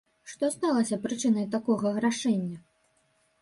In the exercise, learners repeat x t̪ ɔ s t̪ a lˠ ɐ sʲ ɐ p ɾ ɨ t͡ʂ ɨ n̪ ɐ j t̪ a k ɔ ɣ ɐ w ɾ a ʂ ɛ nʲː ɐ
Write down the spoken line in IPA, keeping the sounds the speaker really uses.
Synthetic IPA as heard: ʂ t̪ ɔ s t̪ a lˠ ɐ sʲ ɐ p ɾ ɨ t͡ʂ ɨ n̪ ɐ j t̪ a k ɔ ɣ ɐ ɣ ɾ a ʂ ɛ nʲː ɐ